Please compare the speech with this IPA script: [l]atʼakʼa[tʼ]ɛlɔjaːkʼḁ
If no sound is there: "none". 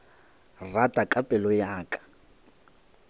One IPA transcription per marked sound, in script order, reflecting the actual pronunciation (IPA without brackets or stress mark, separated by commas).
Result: r, pʼ